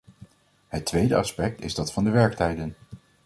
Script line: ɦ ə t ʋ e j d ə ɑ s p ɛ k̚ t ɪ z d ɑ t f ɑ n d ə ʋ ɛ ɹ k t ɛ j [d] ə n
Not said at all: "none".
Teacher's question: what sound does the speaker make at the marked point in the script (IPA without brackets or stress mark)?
d